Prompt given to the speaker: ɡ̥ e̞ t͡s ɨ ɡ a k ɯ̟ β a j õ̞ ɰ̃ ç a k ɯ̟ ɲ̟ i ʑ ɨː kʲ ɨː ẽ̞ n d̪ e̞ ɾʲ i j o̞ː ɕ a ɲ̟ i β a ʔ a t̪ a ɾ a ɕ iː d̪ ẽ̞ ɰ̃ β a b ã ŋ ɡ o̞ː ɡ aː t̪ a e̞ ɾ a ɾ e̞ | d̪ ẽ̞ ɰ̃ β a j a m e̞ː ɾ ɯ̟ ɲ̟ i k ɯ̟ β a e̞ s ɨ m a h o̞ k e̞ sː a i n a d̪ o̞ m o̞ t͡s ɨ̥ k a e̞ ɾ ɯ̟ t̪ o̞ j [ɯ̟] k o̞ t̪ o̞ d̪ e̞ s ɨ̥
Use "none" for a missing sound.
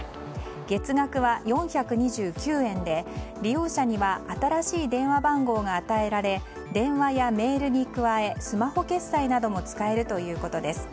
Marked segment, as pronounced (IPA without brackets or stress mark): ɯ̟ː